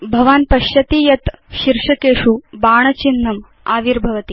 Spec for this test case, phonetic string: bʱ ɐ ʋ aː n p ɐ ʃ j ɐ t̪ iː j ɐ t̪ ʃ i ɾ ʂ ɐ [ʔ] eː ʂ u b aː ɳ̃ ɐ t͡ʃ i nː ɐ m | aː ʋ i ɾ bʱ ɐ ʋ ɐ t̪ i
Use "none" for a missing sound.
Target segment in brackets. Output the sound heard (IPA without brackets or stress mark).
k